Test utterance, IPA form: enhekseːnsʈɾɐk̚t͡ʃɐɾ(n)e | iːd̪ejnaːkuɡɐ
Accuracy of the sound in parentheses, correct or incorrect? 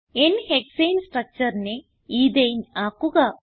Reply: correct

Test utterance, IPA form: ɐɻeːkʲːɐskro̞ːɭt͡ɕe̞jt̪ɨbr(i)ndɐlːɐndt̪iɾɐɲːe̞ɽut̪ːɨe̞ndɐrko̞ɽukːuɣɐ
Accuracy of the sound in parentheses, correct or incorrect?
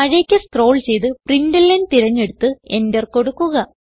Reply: correct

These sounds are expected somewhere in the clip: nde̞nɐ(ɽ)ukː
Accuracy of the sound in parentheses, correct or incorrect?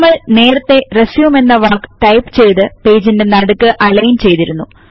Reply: correct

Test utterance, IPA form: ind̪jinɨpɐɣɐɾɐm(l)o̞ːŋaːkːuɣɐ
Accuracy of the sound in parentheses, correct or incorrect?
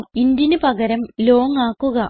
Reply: correct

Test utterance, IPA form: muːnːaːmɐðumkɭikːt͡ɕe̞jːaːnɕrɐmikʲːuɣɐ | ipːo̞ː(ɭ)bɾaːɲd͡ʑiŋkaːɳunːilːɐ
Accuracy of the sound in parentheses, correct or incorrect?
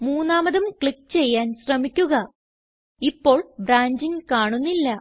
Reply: correct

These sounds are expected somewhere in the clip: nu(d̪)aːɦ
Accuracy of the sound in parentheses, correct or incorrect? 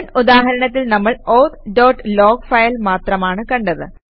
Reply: correct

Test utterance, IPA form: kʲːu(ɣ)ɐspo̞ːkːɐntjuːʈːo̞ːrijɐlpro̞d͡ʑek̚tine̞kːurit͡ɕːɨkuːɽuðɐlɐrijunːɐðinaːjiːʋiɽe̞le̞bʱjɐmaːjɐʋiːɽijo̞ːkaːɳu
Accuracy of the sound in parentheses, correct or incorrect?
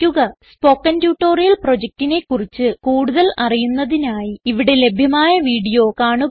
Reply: correct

